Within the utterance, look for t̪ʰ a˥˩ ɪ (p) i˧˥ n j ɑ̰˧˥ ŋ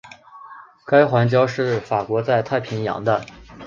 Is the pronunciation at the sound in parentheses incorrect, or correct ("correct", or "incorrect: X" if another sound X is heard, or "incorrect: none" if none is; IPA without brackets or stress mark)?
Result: incorrect: pʰ